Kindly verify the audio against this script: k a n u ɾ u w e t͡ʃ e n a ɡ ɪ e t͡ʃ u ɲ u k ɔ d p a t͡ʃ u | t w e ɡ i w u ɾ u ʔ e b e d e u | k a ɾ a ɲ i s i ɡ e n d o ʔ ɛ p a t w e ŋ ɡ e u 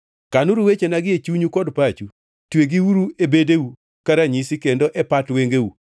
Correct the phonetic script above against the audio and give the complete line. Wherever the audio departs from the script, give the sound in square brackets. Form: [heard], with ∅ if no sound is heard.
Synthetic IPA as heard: k a n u ɾ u w e t͡ʃ e n a ɡ ɪ e t͡ʃ u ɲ u k ɔ d p a t͡ʃ u | t w e ɡ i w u ɾ u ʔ e b e d e u | k a ɾ a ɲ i s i [k] e n d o ʔ ɛ p a t w e ŋ ɡ e u